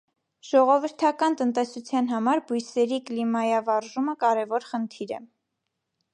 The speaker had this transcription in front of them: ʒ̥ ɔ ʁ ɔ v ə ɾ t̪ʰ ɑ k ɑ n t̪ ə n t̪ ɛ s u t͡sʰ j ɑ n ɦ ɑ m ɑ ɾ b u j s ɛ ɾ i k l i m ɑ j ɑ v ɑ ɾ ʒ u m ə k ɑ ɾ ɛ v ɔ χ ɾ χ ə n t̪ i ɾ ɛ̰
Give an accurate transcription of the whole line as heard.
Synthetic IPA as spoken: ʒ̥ ɔ ʁ ɔ v ə ɾ t̪ʰ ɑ k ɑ n t̪ ə n t̪ ɛ s u t͡sʰ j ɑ n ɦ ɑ m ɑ ɾ b u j s ɛ ɾ i k l i m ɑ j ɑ v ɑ ɾ ʒ u m ə k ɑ ɾ ɛ v ɔ ɾ χ ə n t̪ʰ i ɾ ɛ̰